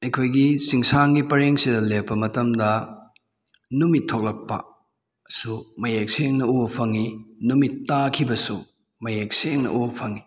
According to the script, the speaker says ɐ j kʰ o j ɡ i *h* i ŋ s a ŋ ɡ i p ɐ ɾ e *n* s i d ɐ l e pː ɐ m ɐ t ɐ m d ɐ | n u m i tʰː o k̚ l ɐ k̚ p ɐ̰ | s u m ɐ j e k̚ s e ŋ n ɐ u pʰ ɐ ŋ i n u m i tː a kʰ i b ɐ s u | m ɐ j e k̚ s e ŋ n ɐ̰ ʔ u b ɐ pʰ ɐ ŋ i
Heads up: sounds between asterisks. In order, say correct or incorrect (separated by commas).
incorrect, incorrect